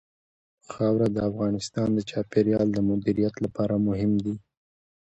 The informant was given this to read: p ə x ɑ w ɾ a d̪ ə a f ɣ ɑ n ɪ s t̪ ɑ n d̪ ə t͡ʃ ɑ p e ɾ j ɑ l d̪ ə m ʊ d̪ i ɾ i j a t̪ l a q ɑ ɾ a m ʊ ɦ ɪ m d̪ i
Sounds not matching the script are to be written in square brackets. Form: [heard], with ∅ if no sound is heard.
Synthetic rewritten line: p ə x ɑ w ɾ a d̪ ə a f ɣ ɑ n ɪ s t̪ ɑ n d̪ ə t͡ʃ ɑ p e ɾ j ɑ l d̪ ə m ʊ d̪ i ɾ i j a t̪ l a [p] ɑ ɾ a m ʊ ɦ ɪ m d̪ i